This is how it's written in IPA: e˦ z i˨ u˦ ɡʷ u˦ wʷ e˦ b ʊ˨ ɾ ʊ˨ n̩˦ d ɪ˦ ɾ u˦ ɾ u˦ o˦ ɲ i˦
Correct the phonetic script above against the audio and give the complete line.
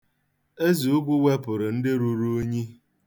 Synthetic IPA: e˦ z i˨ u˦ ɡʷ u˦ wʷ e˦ p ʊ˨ ɾ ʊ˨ n̩˦ d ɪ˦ ɾ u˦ ɾ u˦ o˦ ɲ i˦